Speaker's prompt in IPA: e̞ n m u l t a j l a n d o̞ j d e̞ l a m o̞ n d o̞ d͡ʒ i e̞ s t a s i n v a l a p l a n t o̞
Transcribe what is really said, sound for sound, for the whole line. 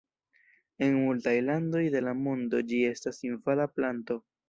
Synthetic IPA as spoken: e̞ n m u l t a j l a n d o̞ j d e̞ l a m o̞ n d o̞ d͡ʒ i e̞ s t a s i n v a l a p l a n t o̞